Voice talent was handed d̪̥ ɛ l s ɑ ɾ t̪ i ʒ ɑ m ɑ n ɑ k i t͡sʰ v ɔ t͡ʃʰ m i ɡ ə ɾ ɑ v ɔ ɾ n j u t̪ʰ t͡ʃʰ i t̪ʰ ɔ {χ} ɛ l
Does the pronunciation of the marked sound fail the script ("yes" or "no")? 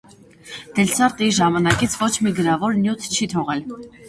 yes